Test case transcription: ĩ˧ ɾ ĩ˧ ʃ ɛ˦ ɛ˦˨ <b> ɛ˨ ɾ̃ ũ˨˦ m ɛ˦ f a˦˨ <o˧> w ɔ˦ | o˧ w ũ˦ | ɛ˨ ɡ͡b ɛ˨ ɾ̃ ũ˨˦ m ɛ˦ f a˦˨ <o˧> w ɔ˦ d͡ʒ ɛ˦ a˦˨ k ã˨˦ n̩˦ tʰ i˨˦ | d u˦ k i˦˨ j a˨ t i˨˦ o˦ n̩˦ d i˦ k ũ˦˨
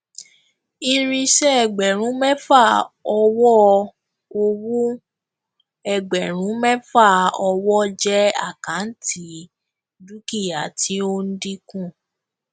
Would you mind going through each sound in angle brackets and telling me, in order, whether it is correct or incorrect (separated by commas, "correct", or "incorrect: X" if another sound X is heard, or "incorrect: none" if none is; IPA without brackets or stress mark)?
incorrect: ɡ͡b, incorrect: ɔ˧, incorrect: ɔ˧